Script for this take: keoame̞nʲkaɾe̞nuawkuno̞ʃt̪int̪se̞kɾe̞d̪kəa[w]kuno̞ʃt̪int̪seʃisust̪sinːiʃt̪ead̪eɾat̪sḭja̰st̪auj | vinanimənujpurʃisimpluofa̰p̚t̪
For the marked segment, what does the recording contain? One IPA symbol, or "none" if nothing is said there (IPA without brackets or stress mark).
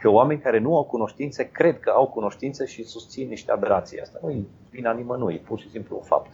w